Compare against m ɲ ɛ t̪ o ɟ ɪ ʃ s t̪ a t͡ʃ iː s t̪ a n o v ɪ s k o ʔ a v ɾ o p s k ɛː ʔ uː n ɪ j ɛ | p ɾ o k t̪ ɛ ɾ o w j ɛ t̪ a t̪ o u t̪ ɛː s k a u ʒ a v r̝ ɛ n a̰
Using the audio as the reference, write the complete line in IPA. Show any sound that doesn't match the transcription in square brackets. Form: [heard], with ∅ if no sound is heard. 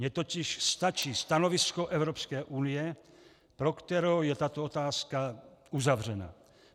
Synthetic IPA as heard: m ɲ ɛ t̪ o [c] ɪ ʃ s t̪ a t͡ʃ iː s t̪ a n o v ɪ s k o ʔ [ɛ] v ɾ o p s k ɛː ʔ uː n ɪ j ɛ | p ɾ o k t̪ ɛ ɾ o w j ɛ t̪ a t̪ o [o] t̪ [aː] s k a u [z] a v r̝ ɛ n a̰